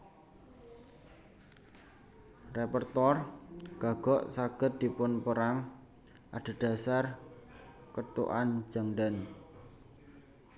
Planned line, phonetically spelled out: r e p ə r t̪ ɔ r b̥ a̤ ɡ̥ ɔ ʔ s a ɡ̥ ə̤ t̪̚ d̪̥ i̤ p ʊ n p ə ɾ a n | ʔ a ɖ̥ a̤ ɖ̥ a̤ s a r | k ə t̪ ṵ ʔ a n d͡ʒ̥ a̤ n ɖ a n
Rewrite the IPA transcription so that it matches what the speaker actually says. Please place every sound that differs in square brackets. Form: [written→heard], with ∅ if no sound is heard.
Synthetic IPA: r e p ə r t̪ ɔ r [b̥→ɡ̥] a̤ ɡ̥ ɔ ʔ s a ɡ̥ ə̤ t̪̚ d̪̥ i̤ p ʊ n p ə ɾ a [n→ŋ] | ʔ a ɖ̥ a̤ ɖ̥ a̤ s a r | k ə t̪ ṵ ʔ a n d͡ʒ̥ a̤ [n→ŋ] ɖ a n